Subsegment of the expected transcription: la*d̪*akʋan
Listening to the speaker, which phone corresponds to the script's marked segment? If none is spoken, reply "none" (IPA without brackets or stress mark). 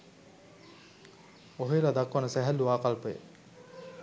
d̪